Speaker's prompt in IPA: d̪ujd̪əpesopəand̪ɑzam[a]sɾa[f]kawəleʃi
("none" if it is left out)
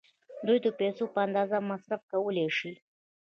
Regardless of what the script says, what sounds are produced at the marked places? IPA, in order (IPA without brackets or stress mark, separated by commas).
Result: a, f